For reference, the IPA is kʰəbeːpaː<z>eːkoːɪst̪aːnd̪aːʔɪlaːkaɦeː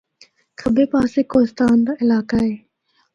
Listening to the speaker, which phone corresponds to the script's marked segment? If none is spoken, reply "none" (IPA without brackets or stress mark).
s